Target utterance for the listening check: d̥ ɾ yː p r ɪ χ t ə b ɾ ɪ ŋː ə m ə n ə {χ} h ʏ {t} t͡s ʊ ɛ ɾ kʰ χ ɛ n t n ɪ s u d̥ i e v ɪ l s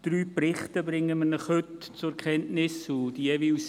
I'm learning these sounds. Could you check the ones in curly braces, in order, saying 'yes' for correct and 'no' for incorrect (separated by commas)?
yes, yes